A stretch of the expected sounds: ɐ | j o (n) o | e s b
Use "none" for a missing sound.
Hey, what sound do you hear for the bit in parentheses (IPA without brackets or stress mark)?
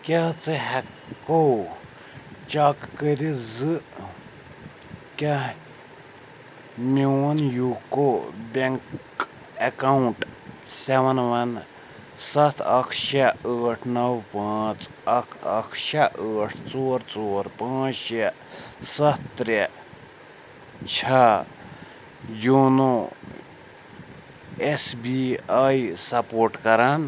n